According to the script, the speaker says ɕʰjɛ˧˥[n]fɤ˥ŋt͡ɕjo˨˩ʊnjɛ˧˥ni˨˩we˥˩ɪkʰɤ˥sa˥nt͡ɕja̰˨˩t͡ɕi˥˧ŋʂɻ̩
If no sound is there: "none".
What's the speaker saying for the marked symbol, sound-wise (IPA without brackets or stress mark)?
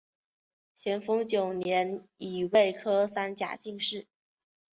n